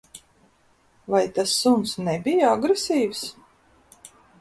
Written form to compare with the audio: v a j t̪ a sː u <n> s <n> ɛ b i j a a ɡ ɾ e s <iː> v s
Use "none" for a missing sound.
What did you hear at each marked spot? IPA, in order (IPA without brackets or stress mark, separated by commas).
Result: n, n, iː